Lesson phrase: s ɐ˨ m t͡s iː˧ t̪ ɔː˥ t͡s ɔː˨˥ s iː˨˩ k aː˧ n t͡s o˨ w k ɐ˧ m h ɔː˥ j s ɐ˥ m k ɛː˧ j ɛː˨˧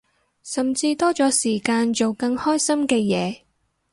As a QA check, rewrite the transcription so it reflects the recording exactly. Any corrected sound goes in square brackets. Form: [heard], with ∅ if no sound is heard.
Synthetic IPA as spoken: s ɐ˨ m t͡s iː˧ t̪ ɔː˥ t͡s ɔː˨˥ s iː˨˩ k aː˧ n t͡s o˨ w k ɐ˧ [ŋ] h ɔː˥ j s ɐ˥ m k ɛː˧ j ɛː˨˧